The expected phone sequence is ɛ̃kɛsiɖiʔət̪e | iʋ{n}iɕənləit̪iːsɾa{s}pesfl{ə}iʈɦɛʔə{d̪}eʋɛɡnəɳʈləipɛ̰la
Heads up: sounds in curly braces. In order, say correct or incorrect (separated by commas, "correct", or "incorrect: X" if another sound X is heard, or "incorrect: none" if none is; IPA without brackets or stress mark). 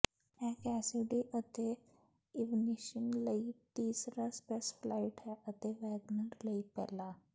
correct, correct, incorrect: a, incorrect: t̪